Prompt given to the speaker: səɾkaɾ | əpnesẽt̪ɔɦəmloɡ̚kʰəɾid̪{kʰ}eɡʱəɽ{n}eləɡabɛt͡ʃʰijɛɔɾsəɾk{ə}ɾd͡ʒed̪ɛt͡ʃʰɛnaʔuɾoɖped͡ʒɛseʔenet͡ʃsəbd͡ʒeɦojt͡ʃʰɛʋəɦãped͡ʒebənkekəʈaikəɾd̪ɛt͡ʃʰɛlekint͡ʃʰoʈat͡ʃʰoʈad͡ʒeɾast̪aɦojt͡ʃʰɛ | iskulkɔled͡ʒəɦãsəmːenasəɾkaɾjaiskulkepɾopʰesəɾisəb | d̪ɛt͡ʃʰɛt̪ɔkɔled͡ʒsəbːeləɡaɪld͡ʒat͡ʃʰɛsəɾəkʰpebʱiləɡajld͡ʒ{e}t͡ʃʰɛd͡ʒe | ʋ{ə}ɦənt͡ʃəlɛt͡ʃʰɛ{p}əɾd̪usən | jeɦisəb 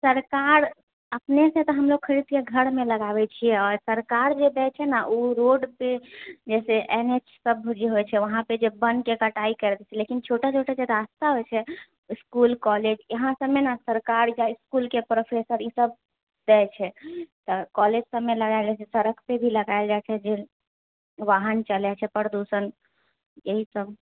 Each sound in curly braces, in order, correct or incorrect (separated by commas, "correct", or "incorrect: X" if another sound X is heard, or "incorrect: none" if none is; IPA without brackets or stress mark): incorrect: k, incorrect: m, incorrect: a, incorrect: a, incorrect: a, correct